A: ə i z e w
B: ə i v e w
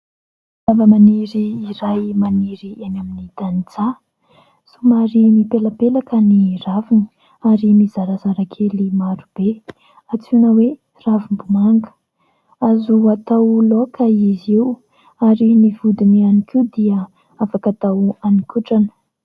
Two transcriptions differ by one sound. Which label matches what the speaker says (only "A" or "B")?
A